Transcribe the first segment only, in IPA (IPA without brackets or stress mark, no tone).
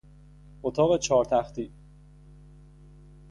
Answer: o